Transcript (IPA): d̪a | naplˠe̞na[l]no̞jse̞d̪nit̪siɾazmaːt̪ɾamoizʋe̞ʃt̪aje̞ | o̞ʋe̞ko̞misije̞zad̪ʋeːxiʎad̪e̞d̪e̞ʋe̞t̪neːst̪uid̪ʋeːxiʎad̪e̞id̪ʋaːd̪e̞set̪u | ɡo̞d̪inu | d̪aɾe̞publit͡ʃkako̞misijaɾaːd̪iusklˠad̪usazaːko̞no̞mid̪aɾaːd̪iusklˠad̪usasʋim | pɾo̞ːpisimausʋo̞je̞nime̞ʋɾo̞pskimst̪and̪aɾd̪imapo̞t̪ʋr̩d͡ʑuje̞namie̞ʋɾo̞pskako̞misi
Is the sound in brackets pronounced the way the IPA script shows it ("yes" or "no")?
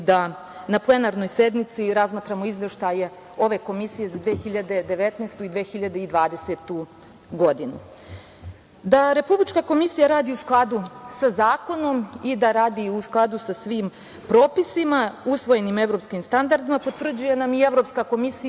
no